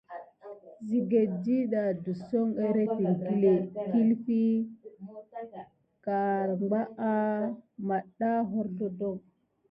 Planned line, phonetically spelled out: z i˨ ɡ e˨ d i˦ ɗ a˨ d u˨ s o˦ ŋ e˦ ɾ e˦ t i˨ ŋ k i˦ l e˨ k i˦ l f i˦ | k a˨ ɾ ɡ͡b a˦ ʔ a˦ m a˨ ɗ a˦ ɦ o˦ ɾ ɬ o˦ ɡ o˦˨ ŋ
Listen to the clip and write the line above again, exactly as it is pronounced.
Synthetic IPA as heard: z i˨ ɡ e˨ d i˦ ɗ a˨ d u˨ s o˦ ŋ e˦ ɾ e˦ t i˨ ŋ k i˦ l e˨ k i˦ l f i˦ | k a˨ ɾ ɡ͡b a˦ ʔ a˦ m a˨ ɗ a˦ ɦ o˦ ɾ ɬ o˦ d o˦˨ ŋ